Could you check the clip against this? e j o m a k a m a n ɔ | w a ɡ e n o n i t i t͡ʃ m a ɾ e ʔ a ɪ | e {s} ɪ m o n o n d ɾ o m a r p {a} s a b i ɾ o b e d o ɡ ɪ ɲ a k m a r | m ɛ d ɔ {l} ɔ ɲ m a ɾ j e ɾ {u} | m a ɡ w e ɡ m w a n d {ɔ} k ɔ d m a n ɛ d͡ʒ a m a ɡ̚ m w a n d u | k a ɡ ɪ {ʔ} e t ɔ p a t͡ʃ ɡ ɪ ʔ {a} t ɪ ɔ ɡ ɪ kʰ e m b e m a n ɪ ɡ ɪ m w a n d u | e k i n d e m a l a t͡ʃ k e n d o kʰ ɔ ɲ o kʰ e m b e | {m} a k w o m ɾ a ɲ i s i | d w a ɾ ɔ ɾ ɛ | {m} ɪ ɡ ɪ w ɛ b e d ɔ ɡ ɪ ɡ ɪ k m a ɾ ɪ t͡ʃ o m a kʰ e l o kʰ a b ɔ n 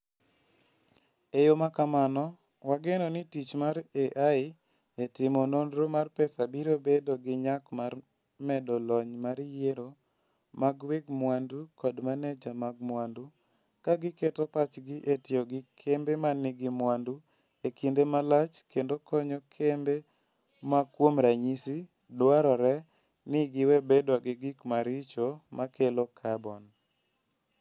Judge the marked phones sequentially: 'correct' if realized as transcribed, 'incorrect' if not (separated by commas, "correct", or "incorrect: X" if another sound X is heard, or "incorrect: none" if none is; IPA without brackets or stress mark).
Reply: incorrect: t, incorrect: ɛ, correct, incorrect: o, incorrect: u, incorrect: k, incorrect: e, correct, incorrect: n